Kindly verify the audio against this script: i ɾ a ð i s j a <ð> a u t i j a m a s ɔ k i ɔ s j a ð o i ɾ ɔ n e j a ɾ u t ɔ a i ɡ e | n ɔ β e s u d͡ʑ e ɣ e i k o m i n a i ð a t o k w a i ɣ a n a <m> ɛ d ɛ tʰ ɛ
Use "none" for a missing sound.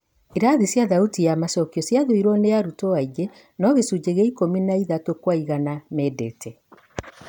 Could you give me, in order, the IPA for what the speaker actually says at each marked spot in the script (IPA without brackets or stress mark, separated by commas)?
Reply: ð, m